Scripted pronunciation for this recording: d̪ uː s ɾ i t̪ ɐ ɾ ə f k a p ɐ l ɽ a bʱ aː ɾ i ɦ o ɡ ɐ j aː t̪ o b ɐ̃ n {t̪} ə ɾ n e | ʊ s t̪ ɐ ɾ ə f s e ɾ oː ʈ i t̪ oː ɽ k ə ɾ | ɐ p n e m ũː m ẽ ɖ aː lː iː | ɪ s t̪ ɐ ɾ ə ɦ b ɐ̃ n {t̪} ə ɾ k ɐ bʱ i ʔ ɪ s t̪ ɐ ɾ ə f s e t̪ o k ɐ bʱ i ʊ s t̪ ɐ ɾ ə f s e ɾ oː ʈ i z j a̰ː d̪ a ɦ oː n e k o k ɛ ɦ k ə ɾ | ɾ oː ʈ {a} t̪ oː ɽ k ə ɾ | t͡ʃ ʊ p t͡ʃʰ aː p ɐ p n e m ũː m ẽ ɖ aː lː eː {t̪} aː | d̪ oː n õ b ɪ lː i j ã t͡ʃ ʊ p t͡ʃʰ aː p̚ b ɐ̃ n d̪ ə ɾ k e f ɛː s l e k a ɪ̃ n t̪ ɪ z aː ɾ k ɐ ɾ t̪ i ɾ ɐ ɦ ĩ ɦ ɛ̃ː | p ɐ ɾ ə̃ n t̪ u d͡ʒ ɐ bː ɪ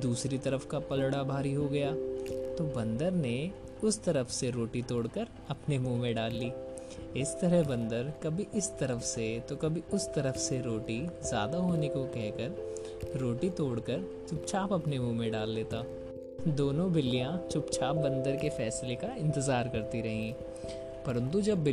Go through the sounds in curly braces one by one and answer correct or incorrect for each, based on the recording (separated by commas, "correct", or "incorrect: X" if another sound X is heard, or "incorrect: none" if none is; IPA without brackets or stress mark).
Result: incorrect: d̪, incorrect: d̪, incorrect: i, correct